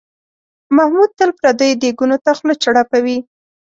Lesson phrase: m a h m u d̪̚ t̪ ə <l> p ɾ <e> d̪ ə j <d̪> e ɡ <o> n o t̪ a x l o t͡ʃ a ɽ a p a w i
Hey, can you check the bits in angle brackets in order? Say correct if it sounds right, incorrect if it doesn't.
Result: correct, incorrect: a, correct, incorrect: u

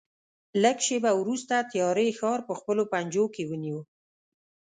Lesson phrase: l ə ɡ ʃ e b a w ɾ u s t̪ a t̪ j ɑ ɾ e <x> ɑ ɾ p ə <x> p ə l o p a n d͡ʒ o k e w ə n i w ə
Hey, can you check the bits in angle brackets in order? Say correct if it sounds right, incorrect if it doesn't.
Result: correct, correct

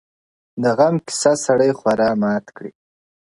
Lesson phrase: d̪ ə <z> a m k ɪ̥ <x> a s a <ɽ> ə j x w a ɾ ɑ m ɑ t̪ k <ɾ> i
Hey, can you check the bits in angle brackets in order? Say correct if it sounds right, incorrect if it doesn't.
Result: incorrect: ɣ, incorrect: s, correct, incorrect: ɽ

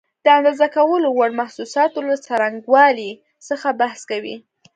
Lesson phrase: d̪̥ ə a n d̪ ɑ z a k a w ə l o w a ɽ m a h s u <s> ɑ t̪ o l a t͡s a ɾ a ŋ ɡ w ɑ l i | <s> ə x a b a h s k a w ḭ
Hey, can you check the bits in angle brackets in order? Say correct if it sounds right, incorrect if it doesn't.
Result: correct, correct

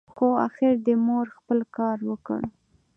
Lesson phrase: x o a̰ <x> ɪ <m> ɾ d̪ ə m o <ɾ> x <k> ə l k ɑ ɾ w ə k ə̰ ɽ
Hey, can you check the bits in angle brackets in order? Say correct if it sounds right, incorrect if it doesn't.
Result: correct, incorrect: none, correct, incorrect: p

